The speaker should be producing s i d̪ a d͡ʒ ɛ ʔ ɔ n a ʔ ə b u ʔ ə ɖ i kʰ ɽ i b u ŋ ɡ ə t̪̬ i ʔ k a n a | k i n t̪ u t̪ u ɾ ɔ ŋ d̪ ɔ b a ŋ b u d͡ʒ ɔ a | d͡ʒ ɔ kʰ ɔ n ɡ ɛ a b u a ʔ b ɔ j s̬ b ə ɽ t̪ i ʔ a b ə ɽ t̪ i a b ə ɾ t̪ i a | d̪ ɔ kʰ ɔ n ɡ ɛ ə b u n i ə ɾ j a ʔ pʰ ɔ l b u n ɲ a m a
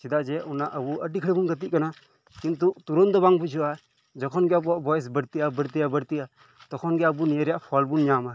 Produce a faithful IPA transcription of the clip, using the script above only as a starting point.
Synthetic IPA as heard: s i d̪ a d͡ʒ ɛ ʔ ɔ n a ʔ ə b u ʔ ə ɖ i kʰ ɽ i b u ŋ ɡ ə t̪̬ i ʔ k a n a | k i n t̪ u t̪ u ɾ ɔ n d̪ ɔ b a ŋ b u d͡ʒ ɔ a | d͡ʒ ɔ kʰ ɔ n ɡ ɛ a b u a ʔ b ɔ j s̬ b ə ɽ t̪ i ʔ a b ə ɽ t̪ i a b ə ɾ t̪ i a | t̪ ɔ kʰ ɔ n ɡ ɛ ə b u n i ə ɾ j a ʔ pʰ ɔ l b u n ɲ a m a